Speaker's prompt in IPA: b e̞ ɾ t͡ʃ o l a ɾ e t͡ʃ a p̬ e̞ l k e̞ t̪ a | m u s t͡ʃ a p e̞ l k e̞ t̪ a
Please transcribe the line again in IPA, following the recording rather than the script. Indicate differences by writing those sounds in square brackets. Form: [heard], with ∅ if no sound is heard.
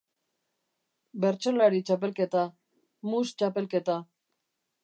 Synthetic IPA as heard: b e̞ ɾ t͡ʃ o l a ɾ [i] t͡ʃ a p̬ e̞ l k e̞ t̪ a | m u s t͡ʃ a p e̞ l k e̞ t̪ a